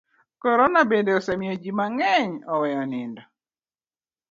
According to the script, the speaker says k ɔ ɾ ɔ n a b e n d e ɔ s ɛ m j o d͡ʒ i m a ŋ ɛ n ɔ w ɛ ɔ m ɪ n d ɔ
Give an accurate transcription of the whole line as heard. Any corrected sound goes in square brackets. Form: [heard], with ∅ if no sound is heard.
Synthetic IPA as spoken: k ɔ ɾ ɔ n a b e n d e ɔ s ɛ m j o d͡ʒ i m a ŋ ɛ [ɲ] ɔ w ɛ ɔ [n] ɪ n d ɔ